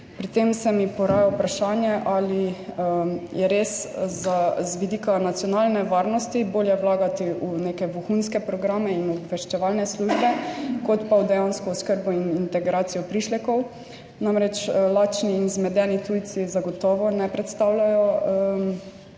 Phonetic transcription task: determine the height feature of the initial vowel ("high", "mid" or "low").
high